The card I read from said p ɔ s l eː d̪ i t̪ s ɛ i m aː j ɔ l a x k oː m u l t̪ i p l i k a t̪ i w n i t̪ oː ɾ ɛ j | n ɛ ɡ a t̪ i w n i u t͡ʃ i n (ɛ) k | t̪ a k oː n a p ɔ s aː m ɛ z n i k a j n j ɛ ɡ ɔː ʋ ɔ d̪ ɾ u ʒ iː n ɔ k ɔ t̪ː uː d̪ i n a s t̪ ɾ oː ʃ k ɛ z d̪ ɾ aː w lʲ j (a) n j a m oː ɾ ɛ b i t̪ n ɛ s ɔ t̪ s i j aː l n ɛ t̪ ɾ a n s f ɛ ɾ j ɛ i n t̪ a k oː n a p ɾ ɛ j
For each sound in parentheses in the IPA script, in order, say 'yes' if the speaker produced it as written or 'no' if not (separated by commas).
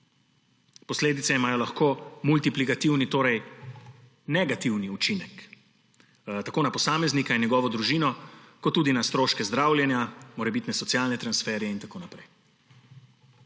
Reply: yes, no